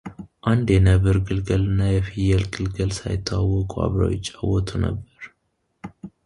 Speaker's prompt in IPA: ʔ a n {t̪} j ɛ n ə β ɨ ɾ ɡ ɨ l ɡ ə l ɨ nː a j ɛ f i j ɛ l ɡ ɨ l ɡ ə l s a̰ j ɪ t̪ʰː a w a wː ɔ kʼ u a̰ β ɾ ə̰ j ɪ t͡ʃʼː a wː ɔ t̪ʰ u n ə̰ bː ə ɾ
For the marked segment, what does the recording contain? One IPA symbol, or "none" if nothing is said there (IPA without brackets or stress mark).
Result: d̪